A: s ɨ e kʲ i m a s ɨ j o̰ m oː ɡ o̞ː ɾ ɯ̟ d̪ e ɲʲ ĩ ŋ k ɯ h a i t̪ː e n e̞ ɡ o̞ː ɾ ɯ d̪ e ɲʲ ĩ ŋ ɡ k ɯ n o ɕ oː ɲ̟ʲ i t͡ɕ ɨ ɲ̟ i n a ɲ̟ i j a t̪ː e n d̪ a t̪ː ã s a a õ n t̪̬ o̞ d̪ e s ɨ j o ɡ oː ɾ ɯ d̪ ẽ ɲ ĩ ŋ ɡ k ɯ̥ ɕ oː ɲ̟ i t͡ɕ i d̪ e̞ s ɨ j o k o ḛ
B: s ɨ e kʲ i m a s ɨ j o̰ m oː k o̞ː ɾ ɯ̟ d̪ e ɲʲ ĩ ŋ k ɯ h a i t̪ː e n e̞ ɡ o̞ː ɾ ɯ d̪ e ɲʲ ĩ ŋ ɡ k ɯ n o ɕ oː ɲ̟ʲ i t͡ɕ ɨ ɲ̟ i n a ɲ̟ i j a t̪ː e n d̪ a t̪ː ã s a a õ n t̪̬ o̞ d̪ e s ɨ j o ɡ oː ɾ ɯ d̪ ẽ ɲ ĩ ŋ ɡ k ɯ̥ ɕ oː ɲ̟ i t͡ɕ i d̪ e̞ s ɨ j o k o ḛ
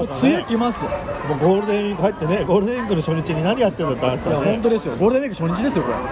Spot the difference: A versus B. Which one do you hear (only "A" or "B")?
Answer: A